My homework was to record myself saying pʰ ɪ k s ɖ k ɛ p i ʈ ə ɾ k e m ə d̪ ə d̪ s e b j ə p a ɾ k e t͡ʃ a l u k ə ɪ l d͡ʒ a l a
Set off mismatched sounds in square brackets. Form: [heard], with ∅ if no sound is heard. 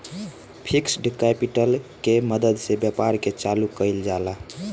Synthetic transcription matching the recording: pʰ [i] k s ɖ k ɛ p i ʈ ə [l] k e m ə d̪ ə d̪ s e b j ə p a ɾ k e t͡ʃ a l u k ə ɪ l d͡ʒ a l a